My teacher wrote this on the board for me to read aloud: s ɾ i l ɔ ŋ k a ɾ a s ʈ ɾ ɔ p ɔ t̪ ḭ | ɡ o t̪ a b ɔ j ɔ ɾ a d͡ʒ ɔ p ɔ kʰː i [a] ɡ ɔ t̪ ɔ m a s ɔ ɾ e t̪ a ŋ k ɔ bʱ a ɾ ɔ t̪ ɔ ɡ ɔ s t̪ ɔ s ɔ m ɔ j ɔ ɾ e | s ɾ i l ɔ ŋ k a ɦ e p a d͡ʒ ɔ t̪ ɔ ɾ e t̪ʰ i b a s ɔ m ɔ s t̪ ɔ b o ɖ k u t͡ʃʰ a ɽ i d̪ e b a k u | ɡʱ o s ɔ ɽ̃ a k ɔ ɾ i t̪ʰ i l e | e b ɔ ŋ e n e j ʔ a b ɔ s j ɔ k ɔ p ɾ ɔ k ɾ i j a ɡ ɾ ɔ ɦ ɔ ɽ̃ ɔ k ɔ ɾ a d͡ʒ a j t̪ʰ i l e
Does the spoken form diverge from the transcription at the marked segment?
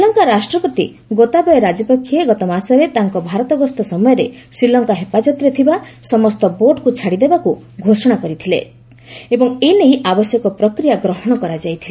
yes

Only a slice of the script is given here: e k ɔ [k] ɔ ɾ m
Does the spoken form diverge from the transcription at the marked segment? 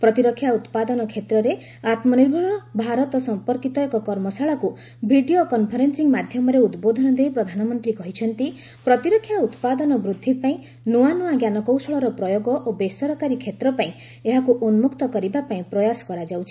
no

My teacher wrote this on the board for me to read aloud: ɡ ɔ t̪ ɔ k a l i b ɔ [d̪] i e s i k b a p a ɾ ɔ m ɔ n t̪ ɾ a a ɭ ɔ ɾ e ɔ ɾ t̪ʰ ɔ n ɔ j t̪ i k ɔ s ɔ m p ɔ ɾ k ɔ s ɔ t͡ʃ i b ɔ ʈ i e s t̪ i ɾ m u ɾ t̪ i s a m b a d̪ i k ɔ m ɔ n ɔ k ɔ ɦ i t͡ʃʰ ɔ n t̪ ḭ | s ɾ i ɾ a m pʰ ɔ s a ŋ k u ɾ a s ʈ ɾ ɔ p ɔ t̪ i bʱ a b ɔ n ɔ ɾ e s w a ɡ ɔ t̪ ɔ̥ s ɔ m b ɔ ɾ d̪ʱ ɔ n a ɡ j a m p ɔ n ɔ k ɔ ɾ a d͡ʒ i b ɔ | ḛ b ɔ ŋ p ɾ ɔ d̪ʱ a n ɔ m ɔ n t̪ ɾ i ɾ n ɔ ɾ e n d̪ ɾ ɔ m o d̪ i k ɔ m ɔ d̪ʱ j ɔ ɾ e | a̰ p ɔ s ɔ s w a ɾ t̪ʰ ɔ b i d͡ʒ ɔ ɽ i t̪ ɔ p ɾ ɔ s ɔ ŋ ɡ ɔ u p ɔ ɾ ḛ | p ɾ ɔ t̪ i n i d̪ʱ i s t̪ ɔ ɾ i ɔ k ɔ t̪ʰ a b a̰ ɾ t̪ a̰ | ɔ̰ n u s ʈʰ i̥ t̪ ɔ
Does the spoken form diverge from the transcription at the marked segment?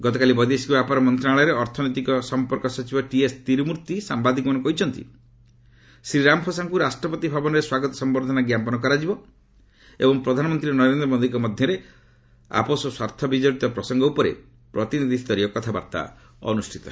no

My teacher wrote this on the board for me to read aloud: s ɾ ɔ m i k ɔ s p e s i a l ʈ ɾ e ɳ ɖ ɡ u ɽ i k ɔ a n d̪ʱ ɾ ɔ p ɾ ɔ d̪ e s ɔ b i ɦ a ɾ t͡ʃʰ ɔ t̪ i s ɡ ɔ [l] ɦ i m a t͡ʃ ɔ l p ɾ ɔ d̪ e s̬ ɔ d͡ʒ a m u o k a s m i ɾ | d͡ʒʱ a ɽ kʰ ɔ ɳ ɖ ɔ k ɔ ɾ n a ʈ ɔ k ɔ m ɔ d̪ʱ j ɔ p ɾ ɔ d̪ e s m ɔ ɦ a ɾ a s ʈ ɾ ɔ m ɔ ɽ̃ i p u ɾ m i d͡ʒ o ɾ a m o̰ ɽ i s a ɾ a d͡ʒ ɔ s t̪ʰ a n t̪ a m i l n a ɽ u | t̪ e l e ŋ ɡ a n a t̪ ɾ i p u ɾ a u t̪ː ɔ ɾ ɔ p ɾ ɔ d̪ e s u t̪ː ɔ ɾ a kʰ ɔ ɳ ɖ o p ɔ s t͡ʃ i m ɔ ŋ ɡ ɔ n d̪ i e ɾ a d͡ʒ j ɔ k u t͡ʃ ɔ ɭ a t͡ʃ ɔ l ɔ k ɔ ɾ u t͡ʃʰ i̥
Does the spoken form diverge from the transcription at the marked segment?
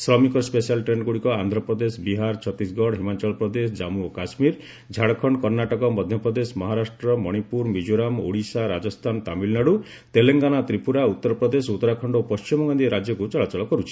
yes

